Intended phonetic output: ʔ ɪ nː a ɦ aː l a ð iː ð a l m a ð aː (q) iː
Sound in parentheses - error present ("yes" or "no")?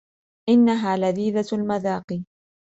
no